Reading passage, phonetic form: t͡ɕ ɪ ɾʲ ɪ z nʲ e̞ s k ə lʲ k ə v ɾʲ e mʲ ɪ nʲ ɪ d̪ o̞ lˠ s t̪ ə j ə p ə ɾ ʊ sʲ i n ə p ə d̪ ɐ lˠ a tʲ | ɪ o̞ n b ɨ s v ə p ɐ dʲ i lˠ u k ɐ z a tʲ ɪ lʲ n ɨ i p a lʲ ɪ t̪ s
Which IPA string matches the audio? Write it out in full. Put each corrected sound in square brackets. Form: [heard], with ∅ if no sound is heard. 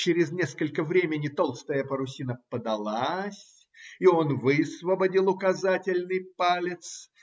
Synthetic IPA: t͡ɕ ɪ ɾʲ ɪ z nʲ e̞ s k ə lʲ k ə v ɾʲ e mʲ ɪ nʲ ɪ [t̪] o̞ lˠ s t̪ ə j ə p ə ɾ ʊ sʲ i n ə p ə d̪ ɐ lˠ a [sʲ] | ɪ o̞ n [v] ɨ s v ə [b] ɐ dʲ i lˠ [ʊ] k ɐ z a tʲ ɪ lʲ n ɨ [j] p a lʲ ɪ t̪ s